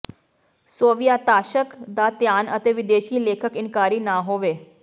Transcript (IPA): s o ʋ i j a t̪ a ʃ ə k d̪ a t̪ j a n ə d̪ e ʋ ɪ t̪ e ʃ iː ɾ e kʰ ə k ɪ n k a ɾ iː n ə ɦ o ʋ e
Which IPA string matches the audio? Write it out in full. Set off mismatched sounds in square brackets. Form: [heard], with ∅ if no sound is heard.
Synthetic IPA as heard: s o ʋ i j a t̪ a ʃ ə k d̪ a t̪ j a n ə [t̪] e ʋ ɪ [d̪] e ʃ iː [l] e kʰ ə k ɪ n k a ɾ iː n [a] ɦ o ʋ e